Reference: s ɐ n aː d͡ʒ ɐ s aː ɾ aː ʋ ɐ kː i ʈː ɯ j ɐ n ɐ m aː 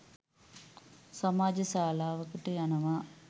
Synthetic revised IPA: s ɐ m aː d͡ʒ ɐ s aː l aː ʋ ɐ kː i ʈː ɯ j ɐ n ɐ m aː